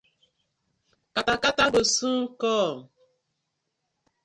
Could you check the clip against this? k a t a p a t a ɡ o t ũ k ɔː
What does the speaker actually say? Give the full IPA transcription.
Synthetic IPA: k a t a k a t a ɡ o s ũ k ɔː